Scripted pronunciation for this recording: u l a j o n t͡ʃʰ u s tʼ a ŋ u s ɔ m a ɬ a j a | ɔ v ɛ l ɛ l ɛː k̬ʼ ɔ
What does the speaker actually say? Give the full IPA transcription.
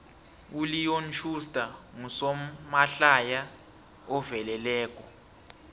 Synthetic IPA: u l i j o n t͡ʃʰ u s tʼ a ŋ u s ɔ m a ɬ a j a | ɔ v ɛ l ɛ l ɛː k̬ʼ ɔ